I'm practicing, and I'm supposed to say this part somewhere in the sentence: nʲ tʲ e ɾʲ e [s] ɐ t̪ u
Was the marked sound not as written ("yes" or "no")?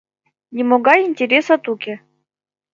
no